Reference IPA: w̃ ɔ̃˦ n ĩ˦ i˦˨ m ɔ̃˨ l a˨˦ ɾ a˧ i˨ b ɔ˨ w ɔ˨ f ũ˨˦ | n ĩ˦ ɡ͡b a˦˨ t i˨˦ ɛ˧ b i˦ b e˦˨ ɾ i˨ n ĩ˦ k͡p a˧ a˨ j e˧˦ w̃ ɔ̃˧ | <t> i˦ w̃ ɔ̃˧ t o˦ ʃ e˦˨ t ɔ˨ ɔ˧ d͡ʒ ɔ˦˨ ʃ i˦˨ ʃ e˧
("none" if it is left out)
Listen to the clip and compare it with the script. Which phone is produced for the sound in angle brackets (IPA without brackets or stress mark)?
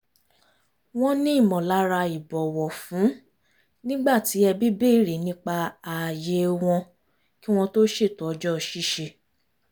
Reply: k